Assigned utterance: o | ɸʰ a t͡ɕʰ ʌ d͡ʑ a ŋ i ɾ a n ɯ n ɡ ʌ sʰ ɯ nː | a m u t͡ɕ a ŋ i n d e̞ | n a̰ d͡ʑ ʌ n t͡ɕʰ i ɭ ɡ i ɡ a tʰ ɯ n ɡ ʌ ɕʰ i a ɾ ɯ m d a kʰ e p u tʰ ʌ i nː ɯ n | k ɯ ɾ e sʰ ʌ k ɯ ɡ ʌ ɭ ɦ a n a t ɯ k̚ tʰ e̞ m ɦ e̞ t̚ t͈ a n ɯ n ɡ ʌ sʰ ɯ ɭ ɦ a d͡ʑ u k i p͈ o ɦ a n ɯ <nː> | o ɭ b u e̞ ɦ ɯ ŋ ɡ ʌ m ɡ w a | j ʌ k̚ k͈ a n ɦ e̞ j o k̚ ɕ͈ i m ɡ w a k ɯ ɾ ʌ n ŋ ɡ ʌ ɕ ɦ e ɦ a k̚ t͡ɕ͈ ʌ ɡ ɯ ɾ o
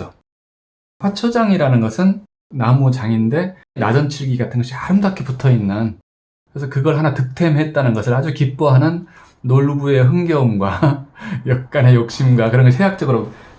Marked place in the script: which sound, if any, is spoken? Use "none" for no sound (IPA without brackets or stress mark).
nː